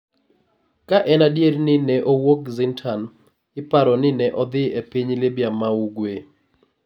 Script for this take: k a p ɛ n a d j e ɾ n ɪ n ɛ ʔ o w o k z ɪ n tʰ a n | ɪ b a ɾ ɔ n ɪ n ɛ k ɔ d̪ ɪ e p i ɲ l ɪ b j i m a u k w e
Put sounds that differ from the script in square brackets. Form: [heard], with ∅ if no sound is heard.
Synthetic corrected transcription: k a [ʔ] ɛ n a d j e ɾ n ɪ n ɛ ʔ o w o k z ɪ n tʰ a n | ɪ [p] a ɾ ɔ n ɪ n ɛ [ʔ] ɔ d̪ ɪ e p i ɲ l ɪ b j [a] m a u [ɡ] w e